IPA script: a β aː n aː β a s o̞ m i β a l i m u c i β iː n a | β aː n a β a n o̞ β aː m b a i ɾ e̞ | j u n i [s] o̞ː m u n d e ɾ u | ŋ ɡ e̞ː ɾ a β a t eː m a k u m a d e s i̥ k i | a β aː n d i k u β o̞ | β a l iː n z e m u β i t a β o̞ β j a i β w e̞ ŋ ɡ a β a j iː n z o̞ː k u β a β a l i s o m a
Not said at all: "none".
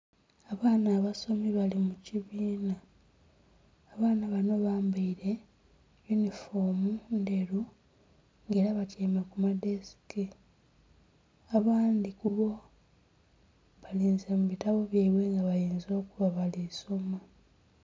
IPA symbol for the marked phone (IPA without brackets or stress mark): f